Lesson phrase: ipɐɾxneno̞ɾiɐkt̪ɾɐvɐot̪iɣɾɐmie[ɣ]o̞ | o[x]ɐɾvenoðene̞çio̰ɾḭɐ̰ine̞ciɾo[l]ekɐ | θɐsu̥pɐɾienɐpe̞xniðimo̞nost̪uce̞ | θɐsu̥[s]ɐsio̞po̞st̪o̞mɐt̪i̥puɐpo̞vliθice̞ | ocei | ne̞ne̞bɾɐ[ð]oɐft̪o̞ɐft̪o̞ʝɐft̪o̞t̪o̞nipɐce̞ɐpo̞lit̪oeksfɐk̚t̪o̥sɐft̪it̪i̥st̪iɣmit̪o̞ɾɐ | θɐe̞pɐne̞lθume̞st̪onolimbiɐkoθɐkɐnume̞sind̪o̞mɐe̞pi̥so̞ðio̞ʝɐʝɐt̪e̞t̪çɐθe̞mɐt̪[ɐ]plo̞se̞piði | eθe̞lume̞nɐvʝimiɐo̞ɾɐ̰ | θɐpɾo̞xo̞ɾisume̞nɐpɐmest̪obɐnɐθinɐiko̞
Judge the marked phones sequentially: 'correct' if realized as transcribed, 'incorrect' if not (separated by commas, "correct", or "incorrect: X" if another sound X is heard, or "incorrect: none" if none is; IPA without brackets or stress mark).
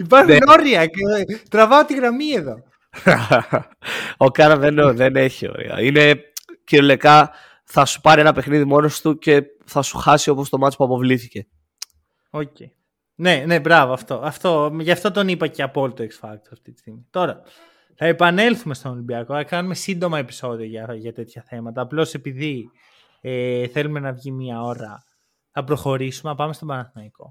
incorrect: ð, incorrect: k, correct, incorrect: x, incorrect: v, incorrect: ɐː